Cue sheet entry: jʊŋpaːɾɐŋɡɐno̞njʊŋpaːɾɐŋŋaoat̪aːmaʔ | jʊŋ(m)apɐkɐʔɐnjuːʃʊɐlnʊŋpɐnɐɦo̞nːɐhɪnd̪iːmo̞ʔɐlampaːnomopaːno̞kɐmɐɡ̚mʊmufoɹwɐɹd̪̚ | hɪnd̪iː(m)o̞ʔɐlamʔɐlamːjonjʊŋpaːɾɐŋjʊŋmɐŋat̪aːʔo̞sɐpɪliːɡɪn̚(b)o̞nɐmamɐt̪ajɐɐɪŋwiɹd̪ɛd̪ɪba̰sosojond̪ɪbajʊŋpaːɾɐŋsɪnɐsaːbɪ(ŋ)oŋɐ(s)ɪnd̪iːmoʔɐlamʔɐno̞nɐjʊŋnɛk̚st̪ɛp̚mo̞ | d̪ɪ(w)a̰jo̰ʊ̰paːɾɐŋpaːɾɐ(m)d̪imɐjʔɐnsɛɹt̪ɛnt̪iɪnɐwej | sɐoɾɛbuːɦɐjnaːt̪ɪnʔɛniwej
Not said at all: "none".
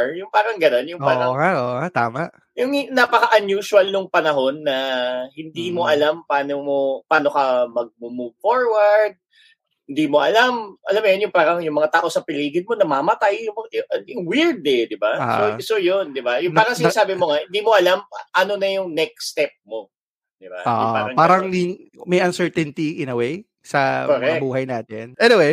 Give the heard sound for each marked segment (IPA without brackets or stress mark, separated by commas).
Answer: n, m, m, m, h, b, ŋ